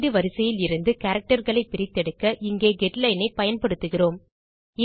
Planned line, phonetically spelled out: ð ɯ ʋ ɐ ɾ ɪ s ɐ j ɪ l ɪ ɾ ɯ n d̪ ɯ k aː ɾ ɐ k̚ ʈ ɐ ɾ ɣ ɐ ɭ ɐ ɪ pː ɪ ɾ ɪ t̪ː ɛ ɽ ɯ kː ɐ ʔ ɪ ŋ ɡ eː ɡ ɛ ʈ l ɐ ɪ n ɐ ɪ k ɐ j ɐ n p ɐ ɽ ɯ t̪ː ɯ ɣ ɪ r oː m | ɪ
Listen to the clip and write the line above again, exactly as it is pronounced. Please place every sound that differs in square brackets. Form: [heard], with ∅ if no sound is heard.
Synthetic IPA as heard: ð ɯ ʋ ɐ ɾ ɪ s ɐ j ɪ l ɪ ɾ ɯ n d̪ ɯ k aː ɾ ɐ k̚ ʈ ɐ ɾ ɣ ɐ ɭ ɐ ɪ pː ɪ ɾ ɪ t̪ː ɛ ɽ ɯ kː ɐ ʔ ɪ ŋ ɡ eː ɡ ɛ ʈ l ɐ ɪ n ɐ ɪ [p] ɐ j ɐ n p ɐ ɽ ɯ t̪ː ɯ ɣ ɪ r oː m | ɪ